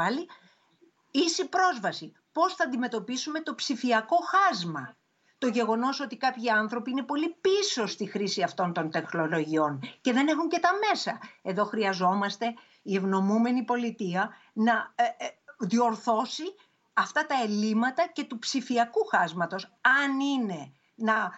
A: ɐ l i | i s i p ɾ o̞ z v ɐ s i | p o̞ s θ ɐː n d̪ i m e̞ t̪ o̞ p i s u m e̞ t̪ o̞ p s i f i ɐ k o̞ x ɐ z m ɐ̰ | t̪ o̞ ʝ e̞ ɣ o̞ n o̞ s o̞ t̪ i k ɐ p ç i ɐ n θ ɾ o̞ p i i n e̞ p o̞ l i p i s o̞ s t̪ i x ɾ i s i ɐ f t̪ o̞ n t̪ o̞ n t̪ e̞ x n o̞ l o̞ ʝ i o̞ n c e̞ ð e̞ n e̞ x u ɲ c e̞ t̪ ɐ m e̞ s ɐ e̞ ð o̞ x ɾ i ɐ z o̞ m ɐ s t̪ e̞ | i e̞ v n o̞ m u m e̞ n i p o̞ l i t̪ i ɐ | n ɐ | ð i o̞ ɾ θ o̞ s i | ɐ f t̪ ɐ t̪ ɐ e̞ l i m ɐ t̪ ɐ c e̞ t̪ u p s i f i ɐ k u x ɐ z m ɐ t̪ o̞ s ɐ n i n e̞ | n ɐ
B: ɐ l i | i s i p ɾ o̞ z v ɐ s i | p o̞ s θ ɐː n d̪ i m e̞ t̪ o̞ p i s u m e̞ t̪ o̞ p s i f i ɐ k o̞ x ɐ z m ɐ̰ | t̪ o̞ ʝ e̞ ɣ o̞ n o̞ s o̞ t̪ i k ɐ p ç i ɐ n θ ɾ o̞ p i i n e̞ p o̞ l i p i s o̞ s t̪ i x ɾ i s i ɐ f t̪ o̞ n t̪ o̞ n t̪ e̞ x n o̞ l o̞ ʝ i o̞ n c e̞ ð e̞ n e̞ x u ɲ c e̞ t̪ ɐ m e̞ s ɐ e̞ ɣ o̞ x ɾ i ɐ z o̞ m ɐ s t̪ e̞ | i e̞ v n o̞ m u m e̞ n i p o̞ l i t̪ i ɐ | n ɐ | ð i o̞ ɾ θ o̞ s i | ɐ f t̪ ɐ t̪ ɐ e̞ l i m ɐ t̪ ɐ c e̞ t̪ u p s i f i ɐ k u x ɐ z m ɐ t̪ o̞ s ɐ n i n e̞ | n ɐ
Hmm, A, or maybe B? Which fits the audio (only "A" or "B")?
A